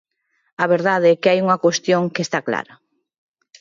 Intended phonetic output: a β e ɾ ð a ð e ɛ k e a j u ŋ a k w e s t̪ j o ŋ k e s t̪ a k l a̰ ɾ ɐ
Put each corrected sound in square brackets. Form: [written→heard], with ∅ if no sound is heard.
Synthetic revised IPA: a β e ɾ ð a ð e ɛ k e a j u ŋ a k w e s t̪ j o ŋ k e s t̪ a k l a̰ ɾ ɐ